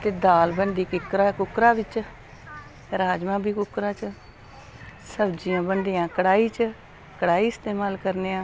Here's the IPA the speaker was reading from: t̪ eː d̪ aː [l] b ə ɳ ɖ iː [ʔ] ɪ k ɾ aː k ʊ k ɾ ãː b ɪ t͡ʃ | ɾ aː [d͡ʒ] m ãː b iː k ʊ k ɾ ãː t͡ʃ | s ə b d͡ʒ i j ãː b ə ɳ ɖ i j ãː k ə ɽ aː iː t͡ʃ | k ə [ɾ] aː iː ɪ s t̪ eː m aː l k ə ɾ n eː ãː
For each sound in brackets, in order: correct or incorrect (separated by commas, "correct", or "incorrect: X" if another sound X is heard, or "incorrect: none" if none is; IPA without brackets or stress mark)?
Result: correct, incorrect: k, correct, incorrect: ɽ